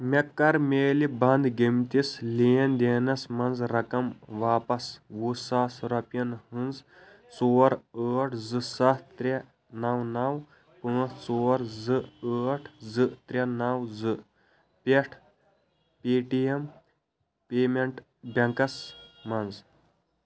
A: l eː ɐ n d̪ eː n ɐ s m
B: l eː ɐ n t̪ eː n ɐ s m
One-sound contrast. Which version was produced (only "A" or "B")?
A